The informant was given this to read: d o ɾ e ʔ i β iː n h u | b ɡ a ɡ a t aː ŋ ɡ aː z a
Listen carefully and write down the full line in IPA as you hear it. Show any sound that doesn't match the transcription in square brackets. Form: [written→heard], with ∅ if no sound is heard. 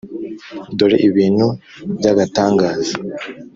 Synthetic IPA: d o ɾ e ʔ i β iː n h u | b [ɡ→ɟ] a ɡ a t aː ŋ ɡ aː z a